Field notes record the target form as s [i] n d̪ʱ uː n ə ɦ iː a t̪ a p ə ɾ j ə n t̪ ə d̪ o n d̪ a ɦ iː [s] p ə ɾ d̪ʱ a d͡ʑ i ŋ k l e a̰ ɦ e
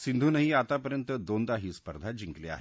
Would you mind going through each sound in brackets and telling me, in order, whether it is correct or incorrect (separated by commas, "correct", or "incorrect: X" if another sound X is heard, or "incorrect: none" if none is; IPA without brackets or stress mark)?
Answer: correct, correct